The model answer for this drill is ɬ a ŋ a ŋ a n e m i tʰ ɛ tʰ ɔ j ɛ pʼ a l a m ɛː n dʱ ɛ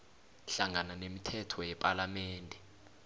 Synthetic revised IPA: ɬ a ŋ a n a n e m i tʰ ɛ tʰ ɔ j ɛ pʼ a l a m ɛː n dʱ ɛ